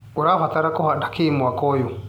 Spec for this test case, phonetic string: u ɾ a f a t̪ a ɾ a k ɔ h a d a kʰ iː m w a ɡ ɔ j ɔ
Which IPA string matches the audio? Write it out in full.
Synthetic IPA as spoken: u ɾ a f a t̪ a ɾ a k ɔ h a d a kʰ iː m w a k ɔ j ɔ